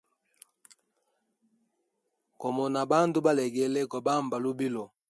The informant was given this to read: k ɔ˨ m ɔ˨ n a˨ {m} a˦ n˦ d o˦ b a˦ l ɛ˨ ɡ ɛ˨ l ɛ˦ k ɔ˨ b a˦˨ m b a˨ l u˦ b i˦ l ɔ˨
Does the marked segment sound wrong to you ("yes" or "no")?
yes